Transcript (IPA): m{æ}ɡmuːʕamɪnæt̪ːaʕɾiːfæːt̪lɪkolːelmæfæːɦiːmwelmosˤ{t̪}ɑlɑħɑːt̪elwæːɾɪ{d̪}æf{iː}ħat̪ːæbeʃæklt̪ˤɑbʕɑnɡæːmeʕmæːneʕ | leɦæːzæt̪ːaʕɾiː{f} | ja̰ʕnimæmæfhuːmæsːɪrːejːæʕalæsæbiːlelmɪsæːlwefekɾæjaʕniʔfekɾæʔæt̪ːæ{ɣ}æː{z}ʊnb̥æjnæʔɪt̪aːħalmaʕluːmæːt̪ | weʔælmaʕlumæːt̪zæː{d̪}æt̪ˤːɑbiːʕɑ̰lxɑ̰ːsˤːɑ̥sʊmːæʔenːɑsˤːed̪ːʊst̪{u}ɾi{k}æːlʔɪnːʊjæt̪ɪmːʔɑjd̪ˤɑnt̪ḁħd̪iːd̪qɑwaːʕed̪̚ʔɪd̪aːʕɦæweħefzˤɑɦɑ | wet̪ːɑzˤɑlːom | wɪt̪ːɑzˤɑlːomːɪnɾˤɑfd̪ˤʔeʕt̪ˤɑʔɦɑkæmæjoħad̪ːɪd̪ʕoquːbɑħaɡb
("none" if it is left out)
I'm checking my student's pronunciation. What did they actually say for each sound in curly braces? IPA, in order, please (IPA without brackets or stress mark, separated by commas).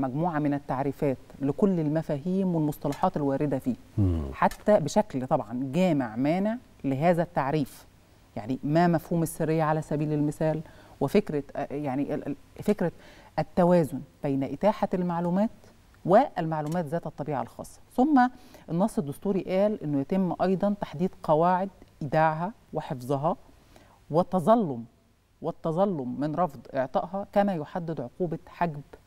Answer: æ, t̪, d̪, iː, f, w, z, t̪, uː, ʔ